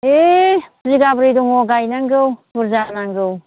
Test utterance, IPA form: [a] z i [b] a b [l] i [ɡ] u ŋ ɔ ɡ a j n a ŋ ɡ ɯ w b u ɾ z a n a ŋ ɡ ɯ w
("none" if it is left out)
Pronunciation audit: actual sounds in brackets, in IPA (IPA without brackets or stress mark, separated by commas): e, ɡ, ɾ, d